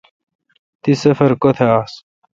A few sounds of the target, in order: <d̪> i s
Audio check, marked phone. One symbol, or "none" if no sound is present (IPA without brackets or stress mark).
t̪